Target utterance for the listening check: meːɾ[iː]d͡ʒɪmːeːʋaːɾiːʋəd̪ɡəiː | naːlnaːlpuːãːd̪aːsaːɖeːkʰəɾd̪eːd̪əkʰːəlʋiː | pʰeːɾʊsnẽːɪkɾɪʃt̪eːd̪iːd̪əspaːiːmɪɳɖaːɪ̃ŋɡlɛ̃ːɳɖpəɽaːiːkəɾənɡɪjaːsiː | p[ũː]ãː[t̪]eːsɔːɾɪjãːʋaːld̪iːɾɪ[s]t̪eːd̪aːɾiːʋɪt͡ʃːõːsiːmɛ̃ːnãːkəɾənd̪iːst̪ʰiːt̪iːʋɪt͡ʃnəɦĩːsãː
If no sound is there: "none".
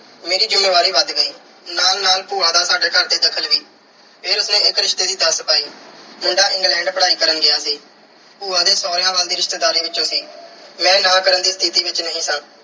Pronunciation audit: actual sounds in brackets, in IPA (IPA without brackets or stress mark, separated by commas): iː, uː, d̪, ʃ